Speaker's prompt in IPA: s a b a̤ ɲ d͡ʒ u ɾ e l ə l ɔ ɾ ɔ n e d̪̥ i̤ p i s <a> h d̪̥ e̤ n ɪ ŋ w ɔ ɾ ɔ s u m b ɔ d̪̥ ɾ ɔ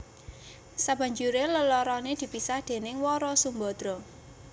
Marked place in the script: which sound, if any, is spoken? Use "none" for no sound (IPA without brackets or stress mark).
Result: a